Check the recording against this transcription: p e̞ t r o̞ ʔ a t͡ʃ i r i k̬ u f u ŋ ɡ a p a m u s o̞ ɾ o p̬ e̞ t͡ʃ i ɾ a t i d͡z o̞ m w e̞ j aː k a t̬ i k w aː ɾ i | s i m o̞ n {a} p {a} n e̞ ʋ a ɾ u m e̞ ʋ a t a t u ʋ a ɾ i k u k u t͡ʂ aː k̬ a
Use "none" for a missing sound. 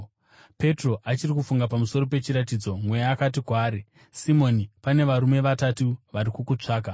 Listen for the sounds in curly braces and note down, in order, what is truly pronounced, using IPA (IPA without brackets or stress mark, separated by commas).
i, a